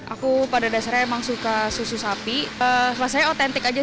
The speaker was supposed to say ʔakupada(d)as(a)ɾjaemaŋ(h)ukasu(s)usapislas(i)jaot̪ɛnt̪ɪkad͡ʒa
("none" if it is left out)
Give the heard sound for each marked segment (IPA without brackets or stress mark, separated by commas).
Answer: d, a, s, s, a